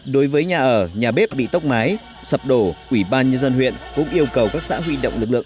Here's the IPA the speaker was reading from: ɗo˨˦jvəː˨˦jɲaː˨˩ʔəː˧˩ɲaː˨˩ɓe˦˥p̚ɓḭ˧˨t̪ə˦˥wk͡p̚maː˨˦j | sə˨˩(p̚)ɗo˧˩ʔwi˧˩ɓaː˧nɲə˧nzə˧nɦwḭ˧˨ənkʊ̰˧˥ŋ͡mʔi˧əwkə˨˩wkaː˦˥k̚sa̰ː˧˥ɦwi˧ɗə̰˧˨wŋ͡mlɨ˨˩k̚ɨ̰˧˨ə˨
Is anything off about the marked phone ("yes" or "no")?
no